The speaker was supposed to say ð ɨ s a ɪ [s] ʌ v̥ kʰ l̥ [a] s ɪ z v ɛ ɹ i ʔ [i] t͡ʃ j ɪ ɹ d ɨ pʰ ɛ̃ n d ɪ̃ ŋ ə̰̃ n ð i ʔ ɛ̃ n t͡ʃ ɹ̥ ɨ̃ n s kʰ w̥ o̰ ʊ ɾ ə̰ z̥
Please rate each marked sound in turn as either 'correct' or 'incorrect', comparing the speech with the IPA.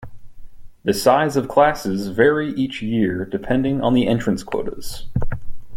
incorrect, incorrect, correct

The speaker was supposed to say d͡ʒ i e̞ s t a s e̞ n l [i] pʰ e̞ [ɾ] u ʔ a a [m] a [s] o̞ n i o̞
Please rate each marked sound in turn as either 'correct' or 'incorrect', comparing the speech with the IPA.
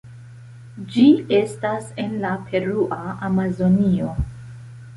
incorrect, correct, correct, incorrect

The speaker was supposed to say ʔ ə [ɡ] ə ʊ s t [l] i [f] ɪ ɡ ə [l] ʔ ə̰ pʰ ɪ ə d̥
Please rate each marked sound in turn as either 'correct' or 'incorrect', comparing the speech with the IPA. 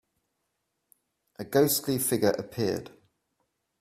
correct, correct, correct, incorrect

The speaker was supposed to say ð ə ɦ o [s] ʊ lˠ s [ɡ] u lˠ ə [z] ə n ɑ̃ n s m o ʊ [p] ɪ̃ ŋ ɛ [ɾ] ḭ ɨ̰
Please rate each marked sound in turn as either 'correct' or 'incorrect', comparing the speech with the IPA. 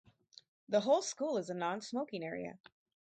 incorrect, incorrect, correct, incorrect, incorrect

